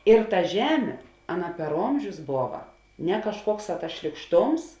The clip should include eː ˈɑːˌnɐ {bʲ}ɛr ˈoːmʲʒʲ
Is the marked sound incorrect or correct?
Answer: incorrect